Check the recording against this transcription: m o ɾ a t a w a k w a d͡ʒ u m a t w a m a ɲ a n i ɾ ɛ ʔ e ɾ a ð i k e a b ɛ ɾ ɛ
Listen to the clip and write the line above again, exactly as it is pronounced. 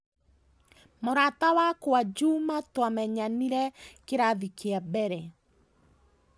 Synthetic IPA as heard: m o ɾ a t a w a k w a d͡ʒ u m a t w a m ɛ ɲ a n i ɾ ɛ k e ɾ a ð i k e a b ɛ ɾ ɛ